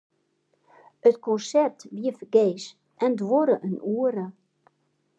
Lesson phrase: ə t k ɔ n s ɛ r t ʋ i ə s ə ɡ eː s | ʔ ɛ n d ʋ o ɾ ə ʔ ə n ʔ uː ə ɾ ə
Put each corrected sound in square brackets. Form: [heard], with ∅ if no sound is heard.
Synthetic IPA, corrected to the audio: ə t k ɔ n s ɛ r t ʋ i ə [f] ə ɡ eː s | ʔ ɛ n d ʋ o ɾ ə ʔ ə n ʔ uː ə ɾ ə

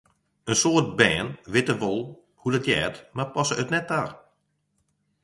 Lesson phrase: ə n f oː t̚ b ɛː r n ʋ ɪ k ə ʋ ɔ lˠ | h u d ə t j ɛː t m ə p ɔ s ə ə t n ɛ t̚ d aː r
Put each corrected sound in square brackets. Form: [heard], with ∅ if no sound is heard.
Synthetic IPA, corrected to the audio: ə n [s] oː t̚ b ɛː [∅] n ʋ ɪ [t] ə ʋ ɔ lˠ | h u d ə t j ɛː t m [a] p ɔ s ə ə t n ɛ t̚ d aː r

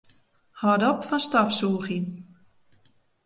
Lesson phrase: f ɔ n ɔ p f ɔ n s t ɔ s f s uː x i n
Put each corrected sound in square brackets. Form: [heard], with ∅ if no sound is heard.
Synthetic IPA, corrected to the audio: [h] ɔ [d] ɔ p f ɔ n s t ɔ [∅] f s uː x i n

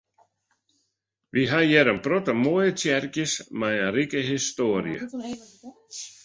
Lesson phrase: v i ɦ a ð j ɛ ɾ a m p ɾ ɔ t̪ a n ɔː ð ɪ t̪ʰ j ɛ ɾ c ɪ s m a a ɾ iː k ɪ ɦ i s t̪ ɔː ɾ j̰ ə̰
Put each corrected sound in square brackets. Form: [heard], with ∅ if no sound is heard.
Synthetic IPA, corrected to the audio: v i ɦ a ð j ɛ ɾ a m p ɾ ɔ t̪ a [m] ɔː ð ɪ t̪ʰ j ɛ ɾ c ɪ s m a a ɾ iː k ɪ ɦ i s t̪ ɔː ɾ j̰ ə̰

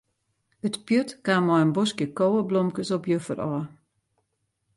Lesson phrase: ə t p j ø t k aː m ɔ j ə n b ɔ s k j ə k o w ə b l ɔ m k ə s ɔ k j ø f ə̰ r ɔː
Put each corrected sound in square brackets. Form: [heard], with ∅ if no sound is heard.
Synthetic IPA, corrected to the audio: ə t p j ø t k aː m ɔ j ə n b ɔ s k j ə k o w ə b l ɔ m k ə s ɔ [p] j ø f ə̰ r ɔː

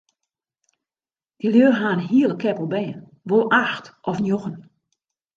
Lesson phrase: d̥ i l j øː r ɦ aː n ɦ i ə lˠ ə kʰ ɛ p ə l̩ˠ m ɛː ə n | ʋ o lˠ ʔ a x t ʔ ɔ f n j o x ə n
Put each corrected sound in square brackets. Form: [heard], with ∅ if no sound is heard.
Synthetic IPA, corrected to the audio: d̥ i l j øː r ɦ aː n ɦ i ə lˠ ə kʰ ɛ p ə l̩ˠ [b] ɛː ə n | ʋ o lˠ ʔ a x t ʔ ɔ f n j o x ə n

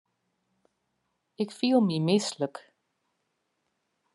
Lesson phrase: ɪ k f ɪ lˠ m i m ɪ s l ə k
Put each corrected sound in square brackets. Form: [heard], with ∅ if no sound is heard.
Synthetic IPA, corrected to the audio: ɪ k f [i] lˠ m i m ɪ s l ə k

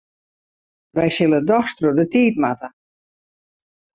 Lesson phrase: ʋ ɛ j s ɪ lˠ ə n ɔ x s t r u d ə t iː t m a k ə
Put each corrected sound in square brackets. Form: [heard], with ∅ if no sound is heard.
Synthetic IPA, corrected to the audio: ʋ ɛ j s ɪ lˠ ə [d] ɔ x s t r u d ə t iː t m a [t] ə

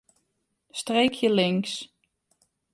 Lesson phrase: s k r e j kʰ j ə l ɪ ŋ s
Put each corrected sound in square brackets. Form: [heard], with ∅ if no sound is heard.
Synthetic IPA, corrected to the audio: s [t] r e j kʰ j ə l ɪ ŋ s

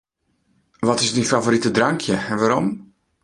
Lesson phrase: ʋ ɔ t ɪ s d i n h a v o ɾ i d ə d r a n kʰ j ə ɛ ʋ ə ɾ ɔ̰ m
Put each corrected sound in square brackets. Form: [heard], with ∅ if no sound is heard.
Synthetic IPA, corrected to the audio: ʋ ɔ t ɪ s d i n [f] a v o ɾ i [t] ə d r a [ŋ] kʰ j ə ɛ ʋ [a] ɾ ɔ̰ m

